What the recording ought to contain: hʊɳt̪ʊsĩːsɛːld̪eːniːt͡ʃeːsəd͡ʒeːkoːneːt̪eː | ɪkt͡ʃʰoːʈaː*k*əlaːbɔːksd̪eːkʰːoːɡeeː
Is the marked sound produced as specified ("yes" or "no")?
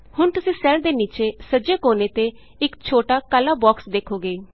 yes